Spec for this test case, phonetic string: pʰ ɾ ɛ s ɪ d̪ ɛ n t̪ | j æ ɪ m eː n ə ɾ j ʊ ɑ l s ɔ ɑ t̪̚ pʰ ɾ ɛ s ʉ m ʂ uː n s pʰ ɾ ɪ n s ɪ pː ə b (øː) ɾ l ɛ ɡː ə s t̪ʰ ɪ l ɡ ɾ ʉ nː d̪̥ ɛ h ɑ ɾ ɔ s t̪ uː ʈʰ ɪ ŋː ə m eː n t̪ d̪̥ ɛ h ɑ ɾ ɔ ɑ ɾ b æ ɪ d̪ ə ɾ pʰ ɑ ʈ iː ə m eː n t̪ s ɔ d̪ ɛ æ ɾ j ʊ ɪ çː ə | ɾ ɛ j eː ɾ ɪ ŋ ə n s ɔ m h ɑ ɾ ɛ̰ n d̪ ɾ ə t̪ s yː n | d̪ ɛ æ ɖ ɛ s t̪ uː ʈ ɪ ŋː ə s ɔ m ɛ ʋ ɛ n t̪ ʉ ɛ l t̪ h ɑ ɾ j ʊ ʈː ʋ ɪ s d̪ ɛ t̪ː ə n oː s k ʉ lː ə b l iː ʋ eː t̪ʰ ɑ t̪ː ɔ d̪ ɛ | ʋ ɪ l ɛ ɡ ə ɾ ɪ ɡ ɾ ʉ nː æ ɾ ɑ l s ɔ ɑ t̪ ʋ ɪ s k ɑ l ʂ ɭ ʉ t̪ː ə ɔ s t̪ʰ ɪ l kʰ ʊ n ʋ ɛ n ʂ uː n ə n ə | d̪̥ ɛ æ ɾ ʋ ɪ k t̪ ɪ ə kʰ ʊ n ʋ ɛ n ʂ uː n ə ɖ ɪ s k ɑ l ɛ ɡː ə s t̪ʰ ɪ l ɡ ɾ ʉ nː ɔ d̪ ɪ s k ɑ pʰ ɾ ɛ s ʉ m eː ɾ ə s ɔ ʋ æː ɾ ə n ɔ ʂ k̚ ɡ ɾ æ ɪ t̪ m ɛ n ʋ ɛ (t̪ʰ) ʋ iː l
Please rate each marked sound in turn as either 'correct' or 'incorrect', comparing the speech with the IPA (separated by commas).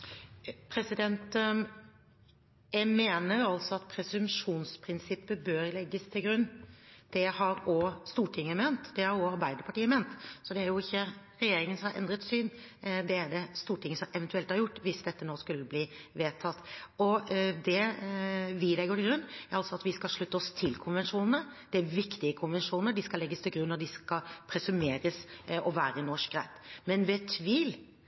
correct, correct